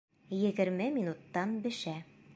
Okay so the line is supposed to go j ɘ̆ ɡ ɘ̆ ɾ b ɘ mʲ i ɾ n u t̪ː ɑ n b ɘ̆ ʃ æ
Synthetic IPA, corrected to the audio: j ɘ̆ ɡ ɘ̆ ɾ m ɘ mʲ i n u t̪ː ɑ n b ɘ̆ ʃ æ